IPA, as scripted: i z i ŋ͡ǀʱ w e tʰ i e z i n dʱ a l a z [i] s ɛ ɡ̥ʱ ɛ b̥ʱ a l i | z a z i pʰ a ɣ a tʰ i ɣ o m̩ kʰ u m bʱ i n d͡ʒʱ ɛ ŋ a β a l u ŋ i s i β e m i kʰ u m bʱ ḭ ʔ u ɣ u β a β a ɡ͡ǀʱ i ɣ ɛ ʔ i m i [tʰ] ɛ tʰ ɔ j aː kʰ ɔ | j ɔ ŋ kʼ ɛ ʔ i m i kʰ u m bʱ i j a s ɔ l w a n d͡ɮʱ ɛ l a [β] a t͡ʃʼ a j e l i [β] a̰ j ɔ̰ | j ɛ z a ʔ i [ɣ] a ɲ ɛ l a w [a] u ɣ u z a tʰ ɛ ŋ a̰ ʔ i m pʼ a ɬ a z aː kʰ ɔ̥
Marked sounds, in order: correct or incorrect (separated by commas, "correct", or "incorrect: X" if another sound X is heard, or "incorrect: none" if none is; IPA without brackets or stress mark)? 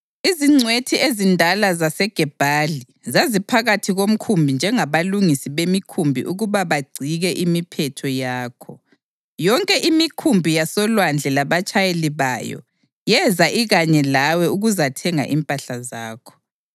incorrect: a, incorrect: pʰ, correct, correct, correct, incorrect: ɛ